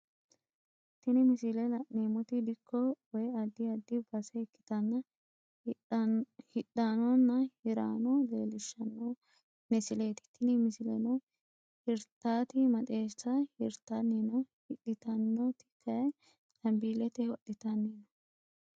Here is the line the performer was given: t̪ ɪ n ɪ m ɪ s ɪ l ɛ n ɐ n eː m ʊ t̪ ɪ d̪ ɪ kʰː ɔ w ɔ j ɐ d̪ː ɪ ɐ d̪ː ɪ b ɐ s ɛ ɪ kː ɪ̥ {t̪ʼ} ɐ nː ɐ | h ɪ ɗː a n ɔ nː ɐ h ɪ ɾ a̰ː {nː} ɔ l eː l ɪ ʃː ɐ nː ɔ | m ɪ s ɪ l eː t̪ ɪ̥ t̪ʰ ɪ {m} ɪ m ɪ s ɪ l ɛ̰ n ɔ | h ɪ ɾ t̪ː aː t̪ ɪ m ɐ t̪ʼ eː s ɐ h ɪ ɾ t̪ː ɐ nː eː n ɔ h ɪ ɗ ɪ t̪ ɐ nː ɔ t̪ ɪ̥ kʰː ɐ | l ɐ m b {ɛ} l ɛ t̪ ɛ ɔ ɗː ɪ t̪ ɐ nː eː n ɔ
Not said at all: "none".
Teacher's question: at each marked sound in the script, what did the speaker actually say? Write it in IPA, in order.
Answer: t̪, n, n, i

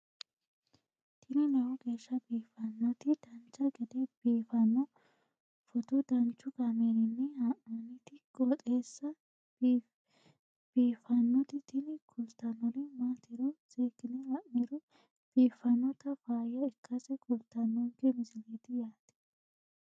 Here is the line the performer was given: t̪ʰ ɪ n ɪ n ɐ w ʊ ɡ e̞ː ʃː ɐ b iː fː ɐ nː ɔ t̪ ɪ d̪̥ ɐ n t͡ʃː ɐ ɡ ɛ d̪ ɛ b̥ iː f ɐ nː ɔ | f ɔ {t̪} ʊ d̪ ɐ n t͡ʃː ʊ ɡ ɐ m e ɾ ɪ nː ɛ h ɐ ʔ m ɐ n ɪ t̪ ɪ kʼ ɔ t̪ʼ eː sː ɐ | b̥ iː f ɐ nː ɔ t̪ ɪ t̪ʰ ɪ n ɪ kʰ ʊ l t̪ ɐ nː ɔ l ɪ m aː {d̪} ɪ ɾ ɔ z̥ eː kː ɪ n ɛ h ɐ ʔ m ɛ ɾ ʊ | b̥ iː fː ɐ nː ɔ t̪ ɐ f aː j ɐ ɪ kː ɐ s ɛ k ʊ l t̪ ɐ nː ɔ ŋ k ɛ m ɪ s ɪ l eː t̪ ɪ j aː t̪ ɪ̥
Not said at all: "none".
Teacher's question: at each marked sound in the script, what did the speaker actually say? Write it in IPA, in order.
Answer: t̪, t̪

